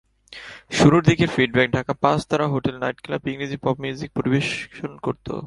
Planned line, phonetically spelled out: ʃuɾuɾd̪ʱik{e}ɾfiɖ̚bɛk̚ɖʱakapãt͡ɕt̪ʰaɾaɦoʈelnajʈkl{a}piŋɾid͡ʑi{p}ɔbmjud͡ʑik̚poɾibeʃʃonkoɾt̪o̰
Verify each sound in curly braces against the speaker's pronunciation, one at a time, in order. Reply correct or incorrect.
correct, correct, correct

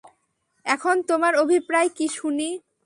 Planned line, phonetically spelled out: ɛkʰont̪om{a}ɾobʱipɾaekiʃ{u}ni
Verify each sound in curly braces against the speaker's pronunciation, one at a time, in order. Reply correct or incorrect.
correct, correct

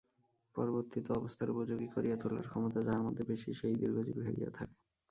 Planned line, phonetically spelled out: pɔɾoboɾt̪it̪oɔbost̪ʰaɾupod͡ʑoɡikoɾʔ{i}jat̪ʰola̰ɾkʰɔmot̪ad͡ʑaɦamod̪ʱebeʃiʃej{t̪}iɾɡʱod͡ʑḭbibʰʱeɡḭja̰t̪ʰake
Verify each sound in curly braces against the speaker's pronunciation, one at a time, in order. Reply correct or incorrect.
correct, incorrect

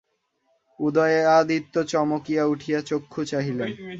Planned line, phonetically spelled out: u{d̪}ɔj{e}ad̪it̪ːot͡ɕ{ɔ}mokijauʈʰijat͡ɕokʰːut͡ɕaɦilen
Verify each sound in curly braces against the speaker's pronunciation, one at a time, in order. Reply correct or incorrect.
correct, correct, correct

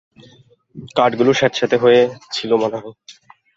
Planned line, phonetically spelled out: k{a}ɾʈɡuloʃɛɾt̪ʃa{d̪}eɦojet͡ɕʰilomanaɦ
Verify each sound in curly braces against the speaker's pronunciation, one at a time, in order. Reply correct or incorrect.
correct, incorrect

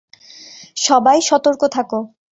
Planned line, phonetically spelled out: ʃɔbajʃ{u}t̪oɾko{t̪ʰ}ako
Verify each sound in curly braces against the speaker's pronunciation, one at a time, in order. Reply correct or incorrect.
incorrect, correct

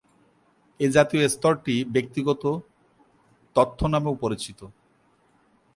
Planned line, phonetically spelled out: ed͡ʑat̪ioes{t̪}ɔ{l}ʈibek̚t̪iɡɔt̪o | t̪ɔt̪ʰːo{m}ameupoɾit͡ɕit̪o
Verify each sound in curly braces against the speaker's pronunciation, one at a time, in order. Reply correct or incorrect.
correct, incorrect, incorrect

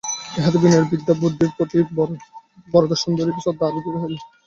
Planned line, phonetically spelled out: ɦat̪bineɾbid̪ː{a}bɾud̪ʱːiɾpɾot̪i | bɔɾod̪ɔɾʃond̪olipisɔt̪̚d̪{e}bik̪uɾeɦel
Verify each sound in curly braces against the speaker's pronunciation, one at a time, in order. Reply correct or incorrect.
correct, incorrect

